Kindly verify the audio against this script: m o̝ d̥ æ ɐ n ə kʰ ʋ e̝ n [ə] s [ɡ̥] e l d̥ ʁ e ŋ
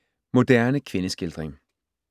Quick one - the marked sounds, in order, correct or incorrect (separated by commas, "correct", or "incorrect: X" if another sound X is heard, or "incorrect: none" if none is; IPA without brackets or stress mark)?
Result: correct, correct